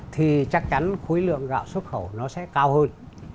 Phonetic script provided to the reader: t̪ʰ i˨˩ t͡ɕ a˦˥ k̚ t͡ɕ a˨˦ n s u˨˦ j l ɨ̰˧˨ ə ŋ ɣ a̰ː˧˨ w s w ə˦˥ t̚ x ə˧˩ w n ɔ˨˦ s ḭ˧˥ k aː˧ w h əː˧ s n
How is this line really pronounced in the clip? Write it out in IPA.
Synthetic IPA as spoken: t̪ʰ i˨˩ t͡ɕ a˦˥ k̚ t͡ɕ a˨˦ n x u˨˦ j l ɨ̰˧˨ ə ŋ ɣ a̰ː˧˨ w s w ə˦˥ t̚ x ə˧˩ w n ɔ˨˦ s ɛ̰˧˥ k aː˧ w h əː˧ n

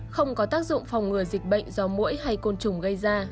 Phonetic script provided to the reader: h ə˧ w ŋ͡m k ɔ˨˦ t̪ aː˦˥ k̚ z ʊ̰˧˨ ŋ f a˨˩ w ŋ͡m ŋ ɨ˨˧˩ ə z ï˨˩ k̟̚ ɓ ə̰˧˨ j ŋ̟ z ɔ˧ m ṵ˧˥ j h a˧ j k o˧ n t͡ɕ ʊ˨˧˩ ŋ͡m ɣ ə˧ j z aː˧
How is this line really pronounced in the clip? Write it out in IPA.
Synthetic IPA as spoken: x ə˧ w ŋ͡m k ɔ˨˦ t̪ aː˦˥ k̚ z ʊ̰˧˨ ŋ͡m f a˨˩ w ŋ͡m ŋ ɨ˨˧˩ ə z ï˨˩ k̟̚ ɓ ə̰˧˨ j ŋ̟ z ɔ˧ m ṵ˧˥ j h a˧ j k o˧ n t͡ɕ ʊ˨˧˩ ŋ͡m ɣ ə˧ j z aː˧

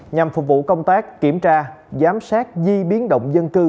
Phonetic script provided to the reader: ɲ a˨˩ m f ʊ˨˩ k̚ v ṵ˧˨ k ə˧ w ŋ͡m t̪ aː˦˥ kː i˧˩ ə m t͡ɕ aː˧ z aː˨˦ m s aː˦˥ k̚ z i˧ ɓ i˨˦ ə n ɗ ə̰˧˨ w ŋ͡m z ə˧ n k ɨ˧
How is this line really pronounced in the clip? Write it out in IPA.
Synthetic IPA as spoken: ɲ a˨˩ m f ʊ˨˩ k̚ v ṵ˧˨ k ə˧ w ŋ͡m t̪ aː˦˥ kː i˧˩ ə m t͡ɕ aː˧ z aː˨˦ m s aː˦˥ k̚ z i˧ ɓ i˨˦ ə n ɗ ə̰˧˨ w ŋ͡m z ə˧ n k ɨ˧

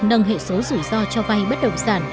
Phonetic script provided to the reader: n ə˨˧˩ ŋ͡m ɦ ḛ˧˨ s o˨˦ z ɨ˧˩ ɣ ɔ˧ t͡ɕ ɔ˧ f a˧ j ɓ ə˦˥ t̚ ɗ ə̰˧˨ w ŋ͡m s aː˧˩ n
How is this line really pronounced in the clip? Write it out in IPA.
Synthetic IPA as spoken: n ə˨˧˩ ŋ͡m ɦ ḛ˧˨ s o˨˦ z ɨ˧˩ z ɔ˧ t͡ɕ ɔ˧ v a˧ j ɓ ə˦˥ t̚ ɗ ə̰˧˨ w ŋ͡m s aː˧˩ n

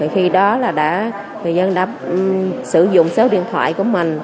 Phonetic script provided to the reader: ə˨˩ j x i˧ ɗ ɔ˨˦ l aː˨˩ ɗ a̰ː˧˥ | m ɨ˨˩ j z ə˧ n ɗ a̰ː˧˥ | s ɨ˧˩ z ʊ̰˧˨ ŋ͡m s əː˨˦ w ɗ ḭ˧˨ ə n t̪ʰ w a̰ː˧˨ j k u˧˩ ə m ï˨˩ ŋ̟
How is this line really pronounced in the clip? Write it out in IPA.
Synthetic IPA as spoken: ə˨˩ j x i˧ ɗ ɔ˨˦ l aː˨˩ ɗ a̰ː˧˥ | ŋ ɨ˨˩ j z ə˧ n ɗ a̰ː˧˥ | s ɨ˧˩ z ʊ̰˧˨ ŋ͡m s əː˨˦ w ɗ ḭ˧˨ ə n t̪ʰ w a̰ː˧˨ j k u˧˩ ə m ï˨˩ ŋ̟

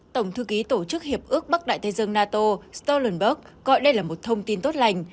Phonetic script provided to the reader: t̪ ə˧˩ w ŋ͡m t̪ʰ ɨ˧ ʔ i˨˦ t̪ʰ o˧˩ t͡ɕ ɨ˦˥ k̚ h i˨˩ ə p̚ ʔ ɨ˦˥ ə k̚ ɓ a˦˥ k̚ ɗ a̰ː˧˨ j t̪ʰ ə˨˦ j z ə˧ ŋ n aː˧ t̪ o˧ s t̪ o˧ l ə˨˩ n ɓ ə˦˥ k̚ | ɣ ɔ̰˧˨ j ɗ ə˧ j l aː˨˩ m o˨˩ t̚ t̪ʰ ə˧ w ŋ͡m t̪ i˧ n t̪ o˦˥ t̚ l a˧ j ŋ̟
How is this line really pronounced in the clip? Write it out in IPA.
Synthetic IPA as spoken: t̪ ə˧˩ w ŋ͡m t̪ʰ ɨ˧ k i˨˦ t̪ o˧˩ t͡ɕ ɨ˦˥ k̚ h i˨˩ ə p̚ ʔ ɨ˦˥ ə k̚ ɓ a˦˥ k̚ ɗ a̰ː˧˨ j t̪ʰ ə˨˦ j z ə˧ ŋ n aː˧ t̪ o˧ s t̪ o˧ l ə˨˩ n ɓ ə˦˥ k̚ | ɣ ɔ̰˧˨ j ɗ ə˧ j l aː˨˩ m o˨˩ t̚ t̪ʰ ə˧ w ŋ͡m t̪ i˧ n t̪ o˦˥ t̚ l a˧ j ŋ̟

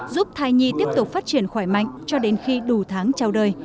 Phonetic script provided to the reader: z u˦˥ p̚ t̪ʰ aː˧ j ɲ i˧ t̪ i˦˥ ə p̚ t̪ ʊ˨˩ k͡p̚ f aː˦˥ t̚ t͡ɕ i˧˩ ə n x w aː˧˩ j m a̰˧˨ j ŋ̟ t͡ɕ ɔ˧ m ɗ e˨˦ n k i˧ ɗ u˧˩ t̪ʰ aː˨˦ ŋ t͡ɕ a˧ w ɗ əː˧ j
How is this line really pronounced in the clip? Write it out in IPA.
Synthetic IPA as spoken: z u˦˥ p̚ t̪ʰ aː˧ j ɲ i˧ t̪ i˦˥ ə p̚ t̪ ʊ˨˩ k͡p̚ f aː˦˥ t̚ t͡ɕ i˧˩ ə n x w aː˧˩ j m a̰˧˨ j ŋ̟ t͡ɕ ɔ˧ ɗ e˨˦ n x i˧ ɗ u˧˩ t̪ʰ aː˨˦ ŋ t͡ɕ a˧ w ɗ əː˧ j

